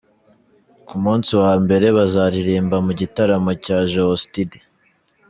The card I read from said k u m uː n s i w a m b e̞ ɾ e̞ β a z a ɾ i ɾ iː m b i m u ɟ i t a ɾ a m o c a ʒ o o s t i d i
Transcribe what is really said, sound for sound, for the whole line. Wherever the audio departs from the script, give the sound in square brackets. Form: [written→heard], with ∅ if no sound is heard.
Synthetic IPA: k u m uː n s i w a m b e̞ ɾ e̞ β a z a ɾ i ɾ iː m b [i→a] m u ɟ i t a ɾ a m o c a ʒ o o s t i d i